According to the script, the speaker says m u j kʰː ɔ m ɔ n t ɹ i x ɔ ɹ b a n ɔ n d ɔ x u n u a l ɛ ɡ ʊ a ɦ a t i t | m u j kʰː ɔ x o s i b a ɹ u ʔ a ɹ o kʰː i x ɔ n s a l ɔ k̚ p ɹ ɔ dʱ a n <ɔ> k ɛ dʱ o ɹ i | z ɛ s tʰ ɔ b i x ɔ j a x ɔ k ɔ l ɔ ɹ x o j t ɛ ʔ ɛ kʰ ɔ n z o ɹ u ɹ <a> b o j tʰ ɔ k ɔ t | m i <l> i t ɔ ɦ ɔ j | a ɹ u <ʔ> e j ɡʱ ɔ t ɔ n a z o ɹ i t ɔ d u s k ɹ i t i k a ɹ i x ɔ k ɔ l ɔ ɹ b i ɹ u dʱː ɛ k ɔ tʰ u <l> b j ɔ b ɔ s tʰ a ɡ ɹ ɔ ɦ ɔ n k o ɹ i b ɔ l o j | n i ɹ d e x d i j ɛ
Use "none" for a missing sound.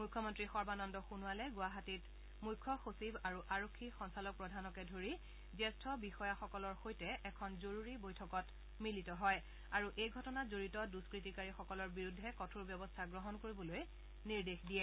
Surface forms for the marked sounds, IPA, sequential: ɔ, i, l, ʔ, ɹ

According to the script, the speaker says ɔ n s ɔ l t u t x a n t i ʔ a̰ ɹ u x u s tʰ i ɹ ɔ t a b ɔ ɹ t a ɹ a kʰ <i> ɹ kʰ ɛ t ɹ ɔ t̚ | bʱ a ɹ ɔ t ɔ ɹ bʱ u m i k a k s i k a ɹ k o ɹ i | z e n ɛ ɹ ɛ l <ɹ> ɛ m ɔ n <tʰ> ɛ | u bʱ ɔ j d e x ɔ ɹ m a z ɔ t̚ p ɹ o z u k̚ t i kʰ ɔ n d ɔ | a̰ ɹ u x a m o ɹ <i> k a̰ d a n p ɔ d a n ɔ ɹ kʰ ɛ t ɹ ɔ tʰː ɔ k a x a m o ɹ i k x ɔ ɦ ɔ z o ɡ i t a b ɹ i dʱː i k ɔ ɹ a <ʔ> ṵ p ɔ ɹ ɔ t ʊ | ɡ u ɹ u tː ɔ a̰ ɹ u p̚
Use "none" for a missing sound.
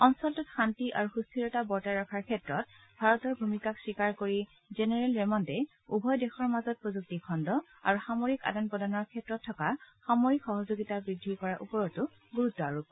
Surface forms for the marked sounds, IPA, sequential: a, ɹ, t, i, ʔ

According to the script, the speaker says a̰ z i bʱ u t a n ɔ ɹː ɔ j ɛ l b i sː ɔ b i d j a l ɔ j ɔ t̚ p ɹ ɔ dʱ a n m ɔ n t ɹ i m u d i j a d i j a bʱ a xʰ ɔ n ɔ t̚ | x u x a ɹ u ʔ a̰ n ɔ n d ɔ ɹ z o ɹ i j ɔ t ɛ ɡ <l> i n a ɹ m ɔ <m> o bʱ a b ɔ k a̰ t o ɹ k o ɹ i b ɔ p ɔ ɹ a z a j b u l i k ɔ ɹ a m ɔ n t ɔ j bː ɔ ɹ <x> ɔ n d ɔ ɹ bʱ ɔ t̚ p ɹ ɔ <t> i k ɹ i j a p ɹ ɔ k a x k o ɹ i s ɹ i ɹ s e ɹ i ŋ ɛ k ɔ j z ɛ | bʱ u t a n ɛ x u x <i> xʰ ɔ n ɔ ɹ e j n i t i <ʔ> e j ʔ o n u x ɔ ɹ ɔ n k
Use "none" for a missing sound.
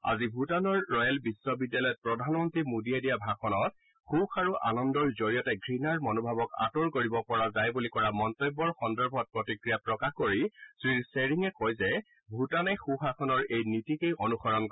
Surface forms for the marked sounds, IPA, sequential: ɹ, n, x, t, a, k

